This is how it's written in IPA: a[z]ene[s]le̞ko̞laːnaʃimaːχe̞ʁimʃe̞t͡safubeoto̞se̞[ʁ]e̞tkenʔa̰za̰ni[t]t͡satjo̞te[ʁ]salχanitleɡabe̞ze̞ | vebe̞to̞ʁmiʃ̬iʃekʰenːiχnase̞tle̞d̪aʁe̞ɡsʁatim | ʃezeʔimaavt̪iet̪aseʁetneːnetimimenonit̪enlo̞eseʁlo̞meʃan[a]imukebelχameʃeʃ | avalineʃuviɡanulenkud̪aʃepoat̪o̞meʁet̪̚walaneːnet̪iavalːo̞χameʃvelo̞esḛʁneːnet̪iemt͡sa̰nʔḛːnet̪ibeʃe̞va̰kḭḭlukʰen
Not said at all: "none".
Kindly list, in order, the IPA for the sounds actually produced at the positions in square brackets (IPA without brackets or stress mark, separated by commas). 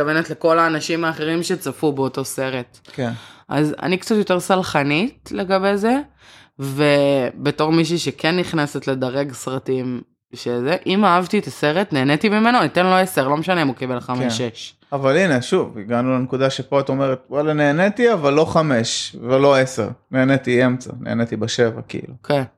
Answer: v, t, ʁ, k, ʁ, e